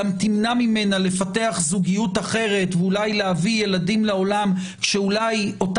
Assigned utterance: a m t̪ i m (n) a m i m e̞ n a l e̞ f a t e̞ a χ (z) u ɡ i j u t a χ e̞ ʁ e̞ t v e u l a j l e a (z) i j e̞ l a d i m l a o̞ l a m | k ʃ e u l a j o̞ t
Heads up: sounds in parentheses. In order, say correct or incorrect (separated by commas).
correct, correct, incorrect